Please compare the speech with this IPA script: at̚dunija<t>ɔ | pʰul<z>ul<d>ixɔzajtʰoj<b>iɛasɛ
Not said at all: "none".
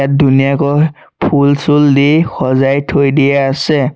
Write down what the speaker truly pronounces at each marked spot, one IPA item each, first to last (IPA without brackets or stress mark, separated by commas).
k, s, d, d